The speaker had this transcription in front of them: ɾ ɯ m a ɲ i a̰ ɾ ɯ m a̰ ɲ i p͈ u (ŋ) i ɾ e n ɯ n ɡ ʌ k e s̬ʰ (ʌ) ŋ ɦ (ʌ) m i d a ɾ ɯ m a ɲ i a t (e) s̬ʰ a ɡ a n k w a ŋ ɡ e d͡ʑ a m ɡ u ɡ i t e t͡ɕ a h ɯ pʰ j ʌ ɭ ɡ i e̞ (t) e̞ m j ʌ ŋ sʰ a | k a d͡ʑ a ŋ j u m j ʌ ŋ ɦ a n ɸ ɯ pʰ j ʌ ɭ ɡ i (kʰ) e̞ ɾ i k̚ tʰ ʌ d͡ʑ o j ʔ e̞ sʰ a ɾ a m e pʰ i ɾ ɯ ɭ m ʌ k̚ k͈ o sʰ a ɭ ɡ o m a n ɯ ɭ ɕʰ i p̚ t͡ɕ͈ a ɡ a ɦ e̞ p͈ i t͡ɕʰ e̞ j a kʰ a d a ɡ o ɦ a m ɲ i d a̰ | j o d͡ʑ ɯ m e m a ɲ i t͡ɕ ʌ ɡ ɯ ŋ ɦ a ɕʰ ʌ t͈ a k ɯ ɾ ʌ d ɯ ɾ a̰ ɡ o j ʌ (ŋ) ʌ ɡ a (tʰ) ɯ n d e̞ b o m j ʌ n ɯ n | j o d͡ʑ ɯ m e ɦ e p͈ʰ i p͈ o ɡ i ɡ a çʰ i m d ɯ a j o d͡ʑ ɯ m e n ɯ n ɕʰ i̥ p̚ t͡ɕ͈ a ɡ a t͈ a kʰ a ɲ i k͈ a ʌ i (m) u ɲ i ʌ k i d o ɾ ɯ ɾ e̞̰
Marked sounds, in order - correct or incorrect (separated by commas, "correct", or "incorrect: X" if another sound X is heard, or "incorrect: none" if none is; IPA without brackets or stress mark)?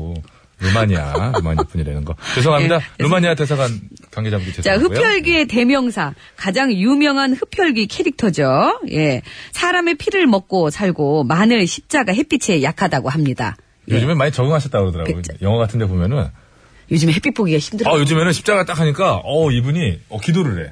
incorrect: ɲ, correct, incorrect: a, correct, correct, correct, correct, correct, incorrect: b